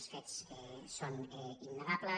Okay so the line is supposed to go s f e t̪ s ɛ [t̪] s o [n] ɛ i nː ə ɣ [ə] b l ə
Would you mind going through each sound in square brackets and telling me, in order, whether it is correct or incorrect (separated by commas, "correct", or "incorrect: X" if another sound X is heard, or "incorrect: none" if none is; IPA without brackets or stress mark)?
incorrect: none, correct, incorrect: a